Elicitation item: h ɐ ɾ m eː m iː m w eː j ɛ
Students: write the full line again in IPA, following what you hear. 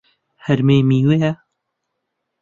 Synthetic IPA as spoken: h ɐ ɾ m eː m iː w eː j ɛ